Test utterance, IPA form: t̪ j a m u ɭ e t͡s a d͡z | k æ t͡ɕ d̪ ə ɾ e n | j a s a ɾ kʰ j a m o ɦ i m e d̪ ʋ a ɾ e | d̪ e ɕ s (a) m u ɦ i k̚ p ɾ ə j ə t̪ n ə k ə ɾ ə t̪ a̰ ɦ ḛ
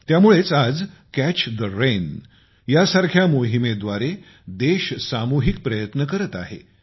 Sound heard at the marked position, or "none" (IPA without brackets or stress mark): a